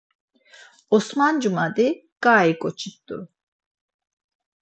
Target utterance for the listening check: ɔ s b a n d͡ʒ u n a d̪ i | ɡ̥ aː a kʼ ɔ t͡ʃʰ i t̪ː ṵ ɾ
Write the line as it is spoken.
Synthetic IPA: ɔ s m a n d͡ʒ u m a d̪ i | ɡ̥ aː i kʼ ɔ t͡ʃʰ i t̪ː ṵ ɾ